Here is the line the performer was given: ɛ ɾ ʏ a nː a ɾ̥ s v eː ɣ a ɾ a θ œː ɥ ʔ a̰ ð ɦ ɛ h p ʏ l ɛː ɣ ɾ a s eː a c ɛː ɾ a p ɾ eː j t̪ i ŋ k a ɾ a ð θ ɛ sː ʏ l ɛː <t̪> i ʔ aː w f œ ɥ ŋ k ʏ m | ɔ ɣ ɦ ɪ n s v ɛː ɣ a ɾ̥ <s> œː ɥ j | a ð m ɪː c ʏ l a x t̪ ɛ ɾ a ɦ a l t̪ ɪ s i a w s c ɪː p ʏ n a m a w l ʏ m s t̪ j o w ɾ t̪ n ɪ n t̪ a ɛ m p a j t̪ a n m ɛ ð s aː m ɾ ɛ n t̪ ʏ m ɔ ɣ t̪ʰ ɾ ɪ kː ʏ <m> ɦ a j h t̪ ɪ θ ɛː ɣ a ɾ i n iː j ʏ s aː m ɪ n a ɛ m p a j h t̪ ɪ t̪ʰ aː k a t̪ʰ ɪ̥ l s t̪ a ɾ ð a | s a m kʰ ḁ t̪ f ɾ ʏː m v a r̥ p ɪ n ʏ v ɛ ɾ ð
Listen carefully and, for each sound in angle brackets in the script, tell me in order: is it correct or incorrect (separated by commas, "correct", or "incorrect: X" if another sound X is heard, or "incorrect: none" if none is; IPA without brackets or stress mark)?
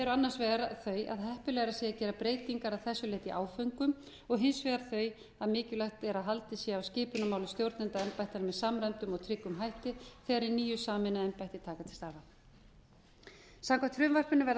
correct, incorrect: θ, correct